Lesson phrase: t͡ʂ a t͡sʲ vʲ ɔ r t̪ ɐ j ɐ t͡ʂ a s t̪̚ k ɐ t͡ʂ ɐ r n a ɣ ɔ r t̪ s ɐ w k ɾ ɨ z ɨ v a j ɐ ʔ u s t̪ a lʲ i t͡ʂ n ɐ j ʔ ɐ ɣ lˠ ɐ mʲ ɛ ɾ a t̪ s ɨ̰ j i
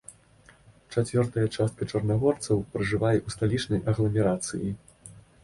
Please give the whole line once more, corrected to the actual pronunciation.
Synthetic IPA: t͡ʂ a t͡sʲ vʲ ɔ r t̪ ɐ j ɐ t͡ʂ a s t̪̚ k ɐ t͡ʂ ɐ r n a ɣ ɔ r t̪ s ɐ w p ɾ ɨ ʐ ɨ v a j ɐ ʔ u s t̪ a lʲ i t͡ʂ n ɐ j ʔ ɐ ɣ lˠ ɐ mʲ ɛ ɾ a t̪ s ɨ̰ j i